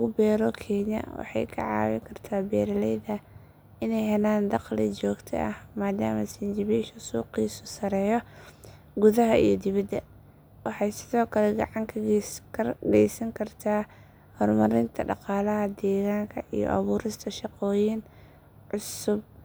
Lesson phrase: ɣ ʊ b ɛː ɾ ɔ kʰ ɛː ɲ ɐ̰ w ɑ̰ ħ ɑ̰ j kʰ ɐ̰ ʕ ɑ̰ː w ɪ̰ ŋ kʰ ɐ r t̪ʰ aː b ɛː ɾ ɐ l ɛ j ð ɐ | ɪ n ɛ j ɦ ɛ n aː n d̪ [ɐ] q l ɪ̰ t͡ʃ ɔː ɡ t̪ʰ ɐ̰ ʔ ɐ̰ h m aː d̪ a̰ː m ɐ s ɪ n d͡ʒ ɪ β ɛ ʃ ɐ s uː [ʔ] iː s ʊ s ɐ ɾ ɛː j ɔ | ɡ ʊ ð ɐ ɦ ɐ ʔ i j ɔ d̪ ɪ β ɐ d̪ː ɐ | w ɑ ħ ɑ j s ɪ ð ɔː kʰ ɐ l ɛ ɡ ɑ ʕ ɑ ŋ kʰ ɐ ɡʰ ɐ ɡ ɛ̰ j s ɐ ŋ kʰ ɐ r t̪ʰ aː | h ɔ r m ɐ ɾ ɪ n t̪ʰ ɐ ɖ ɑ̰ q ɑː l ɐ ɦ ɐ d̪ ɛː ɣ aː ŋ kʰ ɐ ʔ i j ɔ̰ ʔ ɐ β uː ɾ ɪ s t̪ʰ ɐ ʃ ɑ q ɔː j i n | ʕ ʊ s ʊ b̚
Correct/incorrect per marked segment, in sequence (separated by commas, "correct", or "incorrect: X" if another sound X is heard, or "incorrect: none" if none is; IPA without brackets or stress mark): incorrect: ɑ, incorrect: q